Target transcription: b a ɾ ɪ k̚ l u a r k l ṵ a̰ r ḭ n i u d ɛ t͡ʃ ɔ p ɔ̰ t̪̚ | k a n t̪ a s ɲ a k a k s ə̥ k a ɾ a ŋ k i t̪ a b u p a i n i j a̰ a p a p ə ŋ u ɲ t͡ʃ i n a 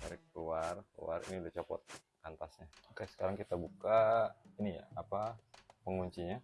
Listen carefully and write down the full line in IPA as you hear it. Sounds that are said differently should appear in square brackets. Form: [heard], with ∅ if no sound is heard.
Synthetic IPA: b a ɾ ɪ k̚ l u a r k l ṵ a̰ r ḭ n i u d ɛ t͡ʃ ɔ p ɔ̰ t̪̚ | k a n t̪ a s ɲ a k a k s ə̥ k a ɾ a ŋ k i t̪ a b u [k] a i n i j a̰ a p a p ə ŋ u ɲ t͡ʃ i [ɲ] a